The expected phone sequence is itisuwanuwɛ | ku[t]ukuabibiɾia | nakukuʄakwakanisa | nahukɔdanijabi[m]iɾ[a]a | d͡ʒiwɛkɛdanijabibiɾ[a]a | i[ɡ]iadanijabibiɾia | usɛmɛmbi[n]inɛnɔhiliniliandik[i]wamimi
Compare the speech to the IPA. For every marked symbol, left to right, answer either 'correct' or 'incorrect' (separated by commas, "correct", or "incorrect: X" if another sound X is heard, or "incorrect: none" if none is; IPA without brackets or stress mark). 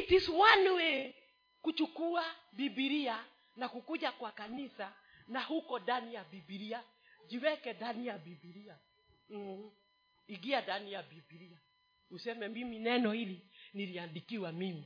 incorrect: t͡ʃ, incorrect: b, incorrect: i, incorrect: i, correct, incorrect: m, correct